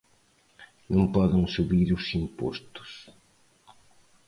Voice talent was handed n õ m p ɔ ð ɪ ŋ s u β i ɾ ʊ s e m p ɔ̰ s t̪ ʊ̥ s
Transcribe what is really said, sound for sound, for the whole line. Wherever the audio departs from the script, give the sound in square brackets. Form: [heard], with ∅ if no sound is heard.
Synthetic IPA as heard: n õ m p ɔ ð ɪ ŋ s u β i ɾ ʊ s [i] m p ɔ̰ s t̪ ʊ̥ s